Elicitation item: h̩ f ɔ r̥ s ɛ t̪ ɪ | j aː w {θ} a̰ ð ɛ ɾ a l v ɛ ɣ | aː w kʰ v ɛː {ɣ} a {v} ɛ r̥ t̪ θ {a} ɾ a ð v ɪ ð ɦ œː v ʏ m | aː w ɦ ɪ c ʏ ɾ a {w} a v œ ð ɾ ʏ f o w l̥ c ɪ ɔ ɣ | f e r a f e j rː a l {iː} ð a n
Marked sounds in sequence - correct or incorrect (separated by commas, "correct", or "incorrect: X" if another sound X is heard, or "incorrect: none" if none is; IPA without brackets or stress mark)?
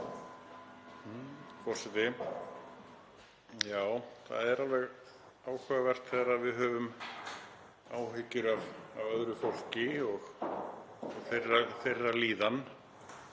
correct, correct, correct, incorrect: ɛ, incorrect: v, correct